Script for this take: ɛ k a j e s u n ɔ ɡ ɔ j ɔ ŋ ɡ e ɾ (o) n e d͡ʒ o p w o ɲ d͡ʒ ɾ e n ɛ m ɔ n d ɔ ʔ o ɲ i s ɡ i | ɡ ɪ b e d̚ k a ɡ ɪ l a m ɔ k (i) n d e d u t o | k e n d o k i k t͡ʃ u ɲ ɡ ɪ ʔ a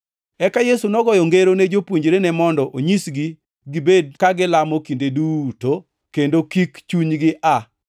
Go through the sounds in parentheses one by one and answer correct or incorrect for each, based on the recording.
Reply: correct, correct

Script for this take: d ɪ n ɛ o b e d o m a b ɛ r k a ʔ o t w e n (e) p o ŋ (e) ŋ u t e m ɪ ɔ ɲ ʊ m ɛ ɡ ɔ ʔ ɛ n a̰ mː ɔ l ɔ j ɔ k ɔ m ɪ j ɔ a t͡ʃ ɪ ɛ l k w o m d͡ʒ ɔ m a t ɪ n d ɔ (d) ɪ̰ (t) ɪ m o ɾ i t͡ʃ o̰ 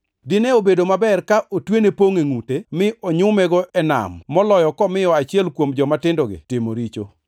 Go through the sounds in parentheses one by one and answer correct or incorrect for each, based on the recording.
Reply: correct, correct, incorrect: ɡ, correct

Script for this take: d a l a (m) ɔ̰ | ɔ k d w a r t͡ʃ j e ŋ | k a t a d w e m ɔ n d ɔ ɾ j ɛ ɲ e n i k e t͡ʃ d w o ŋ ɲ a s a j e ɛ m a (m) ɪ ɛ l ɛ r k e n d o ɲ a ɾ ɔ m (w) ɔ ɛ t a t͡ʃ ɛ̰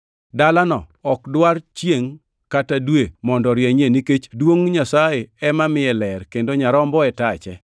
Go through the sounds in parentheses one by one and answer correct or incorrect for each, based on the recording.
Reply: incorrect: n, correct, incorrect: b

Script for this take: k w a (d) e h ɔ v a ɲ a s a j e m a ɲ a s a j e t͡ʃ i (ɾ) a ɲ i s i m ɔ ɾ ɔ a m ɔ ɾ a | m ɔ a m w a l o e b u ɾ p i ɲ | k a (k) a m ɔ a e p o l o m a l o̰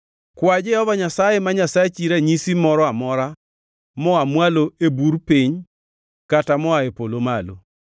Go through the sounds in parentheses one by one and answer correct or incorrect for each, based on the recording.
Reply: incorrect: d͡ʒ, correct, incorrect: t

